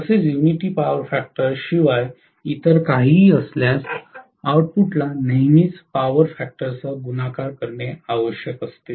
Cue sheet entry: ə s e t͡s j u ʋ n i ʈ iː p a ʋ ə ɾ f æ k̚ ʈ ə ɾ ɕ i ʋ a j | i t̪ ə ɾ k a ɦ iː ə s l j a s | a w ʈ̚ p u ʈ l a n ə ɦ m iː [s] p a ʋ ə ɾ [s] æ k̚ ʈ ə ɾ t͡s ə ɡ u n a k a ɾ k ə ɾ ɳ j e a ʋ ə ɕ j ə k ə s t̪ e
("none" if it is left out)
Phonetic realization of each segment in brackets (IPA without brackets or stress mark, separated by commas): t͡s, f